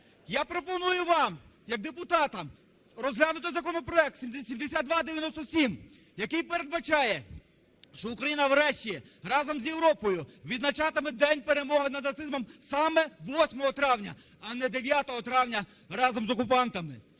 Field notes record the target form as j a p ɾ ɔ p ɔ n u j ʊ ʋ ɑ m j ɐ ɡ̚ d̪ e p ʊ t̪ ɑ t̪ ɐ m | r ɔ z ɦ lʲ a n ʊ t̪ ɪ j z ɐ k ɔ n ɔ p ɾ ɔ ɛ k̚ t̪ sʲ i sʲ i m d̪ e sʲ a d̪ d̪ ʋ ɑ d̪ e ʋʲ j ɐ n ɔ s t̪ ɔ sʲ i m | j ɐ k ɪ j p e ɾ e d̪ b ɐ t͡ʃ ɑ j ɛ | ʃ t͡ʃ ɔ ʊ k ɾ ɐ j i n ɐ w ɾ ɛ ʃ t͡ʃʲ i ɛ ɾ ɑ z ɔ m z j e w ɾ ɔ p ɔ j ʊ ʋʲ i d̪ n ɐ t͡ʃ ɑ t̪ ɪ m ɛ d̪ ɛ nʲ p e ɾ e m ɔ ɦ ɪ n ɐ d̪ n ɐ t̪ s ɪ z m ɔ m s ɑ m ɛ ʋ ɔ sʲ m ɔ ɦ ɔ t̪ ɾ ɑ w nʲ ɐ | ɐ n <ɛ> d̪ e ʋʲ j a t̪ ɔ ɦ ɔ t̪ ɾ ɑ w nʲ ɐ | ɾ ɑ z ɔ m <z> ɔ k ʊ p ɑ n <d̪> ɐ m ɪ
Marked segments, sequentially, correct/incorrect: correct, correct, incorrect

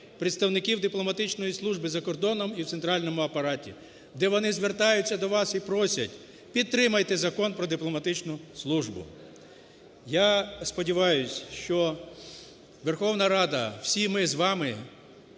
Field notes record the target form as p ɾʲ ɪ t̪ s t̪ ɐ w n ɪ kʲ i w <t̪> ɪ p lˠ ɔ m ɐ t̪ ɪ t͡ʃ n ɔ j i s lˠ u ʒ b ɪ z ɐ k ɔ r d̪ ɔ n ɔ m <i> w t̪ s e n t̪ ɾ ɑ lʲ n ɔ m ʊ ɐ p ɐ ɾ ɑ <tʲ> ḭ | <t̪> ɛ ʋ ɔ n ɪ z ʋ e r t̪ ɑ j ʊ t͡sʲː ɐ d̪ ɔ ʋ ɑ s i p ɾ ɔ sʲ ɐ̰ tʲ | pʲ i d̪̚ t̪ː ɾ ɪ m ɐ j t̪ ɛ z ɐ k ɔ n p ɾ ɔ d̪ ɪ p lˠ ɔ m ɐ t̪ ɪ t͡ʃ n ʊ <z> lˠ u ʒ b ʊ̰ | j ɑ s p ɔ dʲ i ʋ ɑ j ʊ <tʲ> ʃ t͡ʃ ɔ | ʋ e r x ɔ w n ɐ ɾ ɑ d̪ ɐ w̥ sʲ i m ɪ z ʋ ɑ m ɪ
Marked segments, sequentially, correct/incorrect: incorrect, correct, correct, incorrect, incorrect, incorrect

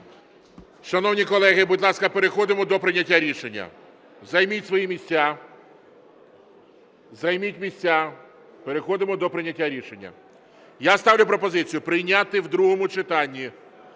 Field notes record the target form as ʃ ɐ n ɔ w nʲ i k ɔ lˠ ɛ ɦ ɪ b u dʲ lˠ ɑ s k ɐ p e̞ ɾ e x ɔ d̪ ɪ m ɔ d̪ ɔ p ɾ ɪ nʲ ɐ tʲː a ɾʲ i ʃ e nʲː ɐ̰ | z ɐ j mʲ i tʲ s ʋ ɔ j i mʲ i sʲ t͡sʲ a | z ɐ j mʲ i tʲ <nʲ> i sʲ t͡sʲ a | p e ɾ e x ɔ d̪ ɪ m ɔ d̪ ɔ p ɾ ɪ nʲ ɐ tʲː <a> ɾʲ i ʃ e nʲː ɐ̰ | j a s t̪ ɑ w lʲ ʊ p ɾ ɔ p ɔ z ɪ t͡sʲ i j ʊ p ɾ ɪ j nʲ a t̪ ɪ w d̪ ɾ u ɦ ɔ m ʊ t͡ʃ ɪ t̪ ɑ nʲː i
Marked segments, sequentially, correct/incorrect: incorrect, correct

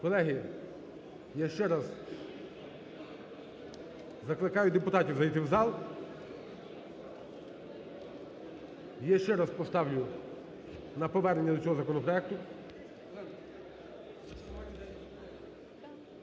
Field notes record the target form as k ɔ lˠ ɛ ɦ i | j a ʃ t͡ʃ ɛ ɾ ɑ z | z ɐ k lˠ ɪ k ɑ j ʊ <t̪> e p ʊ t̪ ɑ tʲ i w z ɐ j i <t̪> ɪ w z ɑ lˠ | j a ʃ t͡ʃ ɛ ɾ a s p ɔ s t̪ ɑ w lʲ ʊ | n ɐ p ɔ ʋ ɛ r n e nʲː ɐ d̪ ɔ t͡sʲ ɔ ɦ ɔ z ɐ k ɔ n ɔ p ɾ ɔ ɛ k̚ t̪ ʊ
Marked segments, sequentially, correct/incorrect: incorrect, correct

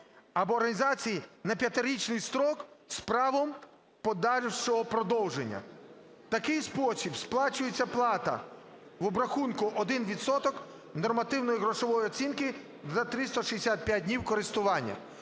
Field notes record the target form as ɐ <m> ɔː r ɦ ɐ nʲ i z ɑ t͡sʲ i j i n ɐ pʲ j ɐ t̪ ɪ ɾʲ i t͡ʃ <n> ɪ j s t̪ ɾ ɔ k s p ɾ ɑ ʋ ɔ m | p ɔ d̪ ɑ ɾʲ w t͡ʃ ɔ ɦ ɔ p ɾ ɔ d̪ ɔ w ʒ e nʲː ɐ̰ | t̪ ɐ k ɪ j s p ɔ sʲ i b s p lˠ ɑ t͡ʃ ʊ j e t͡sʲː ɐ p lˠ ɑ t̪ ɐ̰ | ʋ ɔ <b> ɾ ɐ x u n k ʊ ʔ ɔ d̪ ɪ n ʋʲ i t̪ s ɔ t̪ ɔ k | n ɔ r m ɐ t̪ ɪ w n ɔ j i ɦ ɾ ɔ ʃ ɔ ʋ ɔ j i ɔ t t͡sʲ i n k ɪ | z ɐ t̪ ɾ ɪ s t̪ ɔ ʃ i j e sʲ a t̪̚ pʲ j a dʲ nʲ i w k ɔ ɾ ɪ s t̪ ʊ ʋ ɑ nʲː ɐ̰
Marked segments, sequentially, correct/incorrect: incorrect, correct, correct

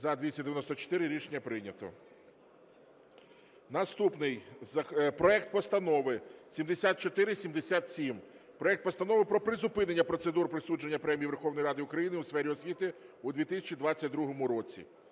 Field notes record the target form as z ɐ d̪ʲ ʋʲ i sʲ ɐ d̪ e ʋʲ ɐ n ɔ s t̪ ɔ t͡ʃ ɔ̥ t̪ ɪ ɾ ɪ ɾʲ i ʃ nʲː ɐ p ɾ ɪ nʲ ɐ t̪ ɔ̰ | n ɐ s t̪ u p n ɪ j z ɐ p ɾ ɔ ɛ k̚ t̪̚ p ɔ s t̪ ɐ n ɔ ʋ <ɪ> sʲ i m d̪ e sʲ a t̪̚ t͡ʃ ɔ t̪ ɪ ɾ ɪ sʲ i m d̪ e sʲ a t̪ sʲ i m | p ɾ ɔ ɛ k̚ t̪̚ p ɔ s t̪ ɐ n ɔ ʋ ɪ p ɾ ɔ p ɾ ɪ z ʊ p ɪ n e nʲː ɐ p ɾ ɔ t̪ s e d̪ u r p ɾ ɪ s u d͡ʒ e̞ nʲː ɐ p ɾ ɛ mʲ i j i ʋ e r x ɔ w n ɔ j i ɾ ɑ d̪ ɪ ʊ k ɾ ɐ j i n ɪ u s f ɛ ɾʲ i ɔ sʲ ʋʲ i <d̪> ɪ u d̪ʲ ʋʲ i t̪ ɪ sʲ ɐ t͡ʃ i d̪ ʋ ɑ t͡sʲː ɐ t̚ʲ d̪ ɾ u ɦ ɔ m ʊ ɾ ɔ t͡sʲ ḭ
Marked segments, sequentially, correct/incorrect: correct, incorrect

